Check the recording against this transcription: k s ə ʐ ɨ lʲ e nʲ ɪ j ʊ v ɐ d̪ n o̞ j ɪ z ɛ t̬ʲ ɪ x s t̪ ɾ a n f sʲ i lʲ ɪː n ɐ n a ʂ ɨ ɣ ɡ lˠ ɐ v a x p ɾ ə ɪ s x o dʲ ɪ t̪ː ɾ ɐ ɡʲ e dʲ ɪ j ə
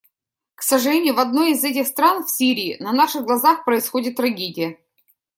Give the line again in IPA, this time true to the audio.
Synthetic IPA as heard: k s ə ʐ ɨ lʲ e nʲ ɪ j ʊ v ɐ d̪ n o̞ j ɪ z ɛ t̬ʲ ɪ x s t̪ ɾ a n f sʲ i ɾʲ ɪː n ɐ n a ʂ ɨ ɣ ɡ lˠ ɐ z a x p ɾ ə ɪ s x o dʲ ɪ t̪ː ɾ ɐ ɡʲ e dʲ ɪ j ə